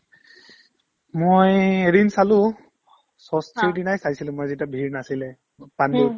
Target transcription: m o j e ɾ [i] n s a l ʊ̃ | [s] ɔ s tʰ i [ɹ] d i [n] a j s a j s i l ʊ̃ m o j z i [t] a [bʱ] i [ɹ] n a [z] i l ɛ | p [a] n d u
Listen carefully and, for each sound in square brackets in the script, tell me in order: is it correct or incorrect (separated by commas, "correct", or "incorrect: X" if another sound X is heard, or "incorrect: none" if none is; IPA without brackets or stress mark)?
correct, correct, correct, correct, correct, correct, correct, incorrect: s, correct